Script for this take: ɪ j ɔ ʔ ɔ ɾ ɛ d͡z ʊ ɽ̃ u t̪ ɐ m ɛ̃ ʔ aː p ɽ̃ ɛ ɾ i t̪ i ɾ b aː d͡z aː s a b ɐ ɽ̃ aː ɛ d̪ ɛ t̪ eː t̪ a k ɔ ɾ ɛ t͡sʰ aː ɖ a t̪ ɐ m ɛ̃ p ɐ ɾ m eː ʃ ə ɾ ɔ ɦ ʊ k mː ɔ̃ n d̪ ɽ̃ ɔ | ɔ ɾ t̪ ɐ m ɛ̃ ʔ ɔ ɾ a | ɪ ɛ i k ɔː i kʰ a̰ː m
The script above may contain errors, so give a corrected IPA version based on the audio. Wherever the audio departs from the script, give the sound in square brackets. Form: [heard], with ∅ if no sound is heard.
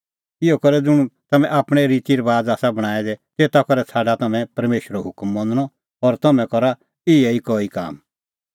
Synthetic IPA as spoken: ɪ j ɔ [k] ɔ ɾ ɛ d͡z ʊ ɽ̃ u t̪ ɐ m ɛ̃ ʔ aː p ɽ̃ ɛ ɾ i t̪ i ɾ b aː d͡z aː s a b ɐ ɽ̃ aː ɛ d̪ ɛ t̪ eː t̪ a k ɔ ɾ ɛ t͡sʰ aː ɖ a t̪ ɐ m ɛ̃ p ɐ ɾ m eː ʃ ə ɾ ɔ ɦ ʊ k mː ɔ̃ n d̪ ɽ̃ ɔ | ɔ ɾ t̪ ɐ m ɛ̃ [k] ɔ ɾ a | ɪ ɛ i k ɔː i [k] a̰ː m